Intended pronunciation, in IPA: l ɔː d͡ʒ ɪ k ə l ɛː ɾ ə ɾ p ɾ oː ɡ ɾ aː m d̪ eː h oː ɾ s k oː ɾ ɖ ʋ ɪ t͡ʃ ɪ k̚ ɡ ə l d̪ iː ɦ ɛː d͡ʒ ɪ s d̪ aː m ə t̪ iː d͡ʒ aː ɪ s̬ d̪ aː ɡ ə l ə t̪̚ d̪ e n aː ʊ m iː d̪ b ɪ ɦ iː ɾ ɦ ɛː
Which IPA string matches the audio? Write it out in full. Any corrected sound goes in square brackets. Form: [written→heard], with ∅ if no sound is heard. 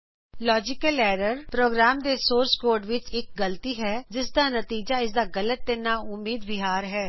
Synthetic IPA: l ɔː d͡ʒ ɪ k ə l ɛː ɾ ə ɾ p ɾ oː ɡ ɾ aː m d̪ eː [h→s] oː ɾ s k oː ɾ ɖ ʋ ɪ t͡ʃ ɪ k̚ ɡ ə l [d̪→t̪] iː ɦ ɛː d͡ʒ ɪ s d̪ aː [m→n] ə t̪ iː d͡ʒ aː ɪ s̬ d̪ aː ɡ ə l ə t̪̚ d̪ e n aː ʊ m iː d̪ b ɪ ɦ [iː→aː] ɾ ɦ ɛː